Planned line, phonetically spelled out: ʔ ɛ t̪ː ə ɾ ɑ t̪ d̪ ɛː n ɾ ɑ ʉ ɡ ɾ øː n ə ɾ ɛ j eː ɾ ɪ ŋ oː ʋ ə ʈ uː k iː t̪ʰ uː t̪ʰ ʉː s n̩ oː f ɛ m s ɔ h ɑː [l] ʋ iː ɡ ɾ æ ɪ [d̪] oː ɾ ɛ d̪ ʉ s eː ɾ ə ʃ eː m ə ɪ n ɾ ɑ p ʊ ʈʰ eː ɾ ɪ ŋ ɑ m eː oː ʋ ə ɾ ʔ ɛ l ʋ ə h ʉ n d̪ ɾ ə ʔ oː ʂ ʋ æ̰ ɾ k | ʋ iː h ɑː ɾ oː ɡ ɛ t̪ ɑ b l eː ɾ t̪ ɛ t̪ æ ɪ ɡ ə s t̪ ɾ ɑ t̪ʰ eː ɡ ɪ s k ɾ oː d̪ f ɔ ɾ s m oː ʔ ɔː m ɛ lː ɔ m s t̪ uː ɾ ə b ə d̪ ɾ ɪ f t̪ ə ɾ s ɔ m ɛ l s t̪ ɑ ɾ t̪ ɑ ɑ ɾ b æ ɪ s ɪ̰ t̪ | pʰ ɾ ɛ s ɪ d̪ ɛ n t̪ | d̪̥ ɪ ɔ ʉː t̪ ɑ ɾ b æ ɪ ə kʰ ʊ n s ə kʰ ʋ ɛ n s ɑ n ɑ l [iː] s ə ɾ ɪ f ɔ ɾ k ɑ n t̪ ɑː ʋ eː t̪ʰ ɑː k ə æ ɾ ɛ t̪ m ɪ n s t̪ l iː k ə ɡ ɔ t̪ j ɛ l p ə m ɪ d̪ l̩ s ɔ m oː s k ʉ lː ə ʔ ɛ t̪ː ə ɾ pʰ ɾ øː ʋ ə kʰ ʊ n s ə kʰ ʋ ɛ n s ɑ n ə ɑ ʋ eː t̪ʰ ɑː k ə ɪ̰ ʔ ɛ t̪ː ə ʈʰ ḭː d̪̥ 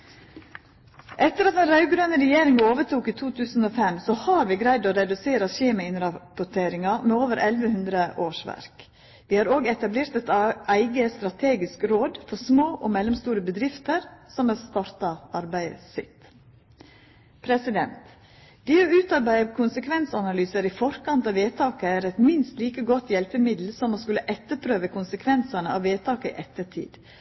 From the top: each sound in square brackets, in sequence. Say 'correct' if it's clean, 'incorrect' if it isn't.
incorrect, correct, incorrect

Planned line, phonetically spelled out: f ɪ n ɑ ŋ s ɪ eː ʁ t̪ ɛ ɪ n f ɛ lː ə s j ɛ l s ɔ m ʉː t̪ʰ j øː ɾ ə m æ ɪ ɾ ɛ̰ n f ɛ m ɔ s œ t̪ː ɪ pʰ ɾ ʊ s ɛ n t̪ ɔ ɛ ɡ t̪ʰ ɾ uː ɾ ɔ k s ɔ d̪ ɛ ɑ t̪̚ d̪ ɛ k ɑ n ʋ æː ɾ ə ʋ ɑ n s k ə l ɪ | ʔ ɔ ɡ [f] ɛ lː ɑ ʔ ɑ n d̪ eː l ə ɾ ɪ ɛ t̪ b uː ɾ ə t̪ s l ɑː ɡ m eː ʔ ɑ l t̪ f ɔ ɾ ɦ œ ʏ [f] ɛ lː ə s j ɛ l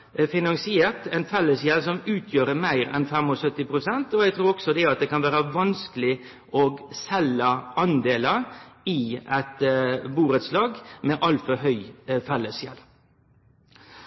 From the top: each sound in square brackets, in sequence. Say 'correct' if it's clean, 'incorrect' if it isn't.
incorrect, correct

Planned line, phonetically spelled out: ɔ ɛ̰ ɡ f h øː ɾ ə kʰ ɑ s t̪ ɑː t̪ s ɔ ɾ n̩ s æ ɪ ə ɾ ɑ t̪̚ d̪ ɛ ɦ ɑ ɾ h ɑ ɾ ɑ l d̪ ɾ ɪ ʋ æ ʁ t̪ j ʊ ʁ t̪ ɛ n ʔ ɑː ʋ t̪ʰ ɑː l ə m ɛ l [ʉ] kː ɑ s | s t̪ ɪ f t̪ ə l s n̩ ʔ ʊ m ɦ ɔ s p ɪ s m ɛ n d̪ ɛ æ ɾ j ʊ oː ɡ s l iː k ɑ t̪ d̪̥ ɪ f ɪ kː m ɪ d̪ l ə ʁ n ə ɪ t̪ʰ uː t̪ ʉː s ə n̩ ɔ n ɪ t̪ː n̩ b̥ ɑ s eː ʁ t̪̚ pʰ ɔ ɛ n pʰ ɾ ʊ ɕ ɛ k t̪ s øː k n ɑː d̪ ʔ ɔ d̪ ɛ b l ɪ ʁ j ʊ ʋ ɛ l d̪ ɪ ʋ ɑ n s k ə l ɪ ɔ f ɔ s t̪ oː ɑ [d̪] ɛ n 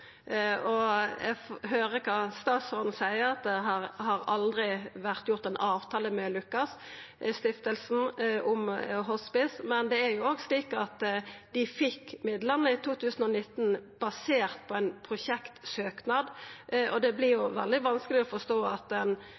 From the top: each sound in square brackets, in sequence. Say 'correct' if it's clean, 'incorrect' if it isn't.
correct, incorrect

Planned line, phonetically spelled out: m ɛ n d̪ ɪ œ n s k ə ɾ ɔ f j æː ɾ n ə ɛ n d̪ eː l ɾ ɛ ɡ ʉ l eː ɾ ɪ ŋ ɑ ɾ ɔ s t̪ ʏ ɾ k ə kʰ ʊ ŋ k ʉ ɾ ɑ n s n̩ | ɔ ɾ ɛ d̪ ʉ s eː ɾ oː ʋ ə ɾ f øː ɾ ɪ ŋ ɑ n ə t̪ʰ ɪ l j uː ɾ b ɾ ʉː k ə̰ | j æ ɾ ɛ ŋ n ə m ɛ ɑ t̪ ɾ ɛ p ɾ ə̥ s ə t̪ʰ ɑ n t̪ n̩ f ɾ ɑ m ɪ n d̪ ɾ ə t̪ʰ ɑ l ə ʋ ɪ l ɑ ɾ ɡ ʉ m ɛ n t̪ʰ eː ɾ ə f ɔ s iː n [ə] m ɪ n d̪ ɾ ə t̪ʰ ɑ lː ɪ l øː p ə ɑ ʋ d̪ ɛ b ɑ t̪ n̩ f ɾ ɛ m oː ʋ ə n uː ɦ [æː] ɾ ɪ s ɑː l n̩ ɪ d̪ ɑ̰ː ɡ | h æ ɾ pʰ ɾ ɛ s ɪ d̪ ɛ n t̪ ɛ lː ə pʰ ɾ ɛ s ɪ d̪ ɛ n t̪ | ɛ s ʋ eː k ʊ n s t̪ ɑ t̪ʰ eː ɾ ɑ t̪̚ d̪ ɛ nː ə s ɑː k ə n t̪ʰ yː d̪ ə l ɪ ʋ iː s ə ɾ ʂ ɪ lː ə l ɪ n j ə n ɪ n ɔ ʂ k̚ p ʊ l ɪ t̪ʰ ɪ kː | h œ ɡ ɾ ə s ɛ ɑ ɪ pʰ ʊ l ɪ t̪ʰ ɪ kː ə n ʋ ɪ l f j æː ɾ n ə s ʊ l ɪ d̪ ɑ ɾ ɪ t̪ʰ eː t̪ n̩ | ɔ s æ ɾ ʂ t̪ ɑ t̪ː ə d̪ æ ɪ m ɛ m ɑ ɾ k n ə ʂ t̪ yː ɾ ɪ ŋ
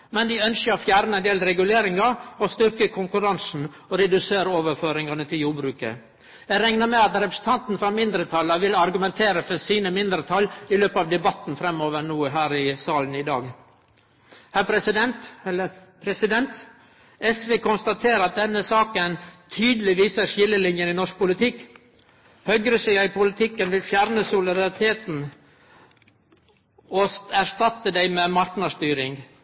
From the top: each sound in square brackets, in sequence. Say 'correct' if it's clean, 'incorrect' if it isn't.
correct, correct

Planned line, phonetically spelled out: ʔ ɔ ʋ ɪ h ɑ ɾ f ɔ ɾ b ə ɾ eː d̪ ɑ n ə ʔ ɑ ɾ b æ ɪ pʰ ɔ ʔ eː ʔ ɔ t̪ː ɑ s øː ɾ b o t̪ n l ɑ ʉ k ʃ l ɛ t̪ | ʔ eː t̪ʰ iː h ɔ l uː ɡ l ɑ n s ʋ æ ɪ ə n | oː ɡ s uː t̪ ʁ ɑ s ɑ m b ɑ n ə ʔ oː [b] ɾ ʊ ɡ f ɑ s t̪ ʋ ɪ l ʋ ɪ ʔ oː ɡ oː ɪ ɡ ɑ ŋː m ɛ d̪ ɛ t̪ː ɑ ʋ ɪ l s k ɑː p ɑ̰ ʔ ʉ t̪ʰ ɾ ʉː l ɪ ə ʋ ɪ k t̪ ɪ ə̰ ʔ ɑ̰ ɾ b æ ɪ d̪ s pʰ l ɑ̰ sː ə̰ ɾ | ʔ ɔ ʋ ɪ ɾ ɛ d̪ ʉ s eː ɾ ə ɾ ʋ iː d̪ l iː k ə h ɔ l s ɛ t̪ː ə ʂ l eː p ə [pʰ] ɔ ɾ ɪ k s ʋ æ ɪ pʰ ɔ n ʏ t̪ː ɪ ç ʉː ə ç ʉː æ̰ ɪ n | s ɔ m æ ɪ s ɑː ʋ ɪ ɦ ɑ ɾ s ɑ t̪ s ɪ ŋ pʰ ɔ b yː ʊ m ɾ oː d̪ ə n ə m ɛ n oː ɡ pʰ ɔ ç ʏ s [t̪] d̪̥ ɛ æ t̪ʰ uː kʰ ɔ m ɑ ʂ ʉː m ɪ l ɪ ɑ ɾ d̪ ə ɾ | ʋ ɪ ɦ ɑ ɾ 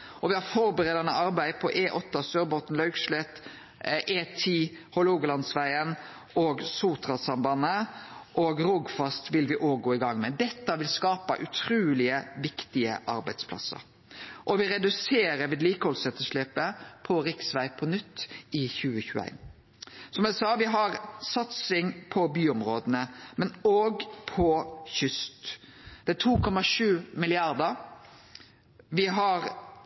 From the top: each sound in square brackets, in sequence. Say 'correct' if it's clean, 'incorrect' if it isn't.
incorrect, correct, correct

